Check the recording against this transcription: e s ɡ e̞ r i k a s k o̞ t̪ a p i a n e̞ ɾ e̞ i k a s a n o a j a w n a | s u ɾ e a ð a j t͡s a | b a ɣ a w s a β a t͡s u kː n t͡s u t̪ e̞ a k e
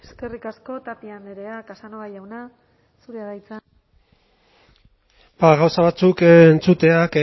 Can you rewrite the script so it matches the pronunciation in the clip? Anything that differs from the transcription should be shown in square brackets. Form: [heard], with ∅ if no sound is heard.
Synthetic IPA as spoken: e s [k] e̞ r i k a s k o̞ t̪ a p i a n e̞ ɾ e̞ [a] k a s a n o a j a w n a | s u ɾ e a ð a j t͡s a | b a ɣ a w s a β a t͡s u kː n t͡s u t̪ e̞ a k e